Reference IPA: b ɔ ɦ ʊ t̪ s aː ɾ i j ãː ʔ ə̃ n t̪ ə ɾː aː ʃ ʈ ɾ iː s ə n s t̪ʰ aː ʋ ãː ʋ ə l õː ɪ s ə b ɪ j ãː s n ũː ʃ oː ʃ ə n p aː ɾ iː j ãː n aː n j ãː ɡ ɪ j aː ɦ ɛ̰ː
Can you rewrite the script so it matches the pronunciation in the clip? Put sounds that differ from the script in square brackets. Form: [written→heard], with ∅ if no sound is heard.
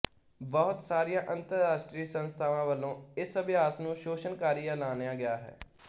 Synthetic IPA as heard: b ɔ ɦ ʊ t̪ s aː ɾ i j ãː ʔ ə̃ n t̪ ə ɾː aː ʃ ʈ ɾ iː s ə n s t̪ʰ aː ʋ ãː ʋ ə l õː ɪ s ə b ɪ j [ãː→aː] s n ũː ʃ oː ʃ ə n [p→k] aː ɾ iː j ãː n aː n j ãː ɡ ɪ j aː ɦ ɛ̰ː